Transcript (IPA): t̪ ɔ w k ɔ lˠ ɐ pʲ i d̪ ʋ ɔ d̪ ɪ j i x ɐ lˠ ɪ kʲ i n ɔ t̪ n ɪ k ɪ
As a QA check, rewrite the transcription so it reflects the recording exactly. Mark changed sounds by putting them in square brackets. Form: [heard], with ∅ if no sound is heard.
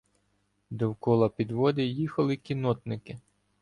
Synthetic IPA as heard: [d̪] ɔ w k ɔ lˠ ɐ pʲ i d̪ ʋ ɔ d̪ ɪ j i x ɐ lˠ ɪ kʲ i n ɔ t̪ n ɪ k ɪ